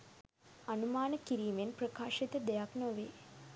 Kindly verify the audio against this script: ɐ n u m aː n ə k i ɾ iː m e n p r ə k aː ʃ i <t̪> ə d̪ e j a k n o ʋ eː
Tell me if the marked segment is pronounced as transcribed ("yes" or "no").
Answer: yes